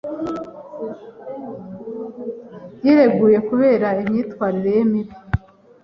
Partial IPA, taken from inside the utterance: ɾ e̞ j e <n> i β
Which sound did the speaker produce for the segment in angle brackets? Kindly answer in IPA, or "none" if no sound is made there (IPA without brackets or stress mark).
m